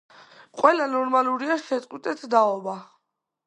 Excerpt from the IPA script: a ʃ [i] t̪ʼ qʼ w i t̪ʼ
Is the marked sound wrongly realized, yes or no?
yes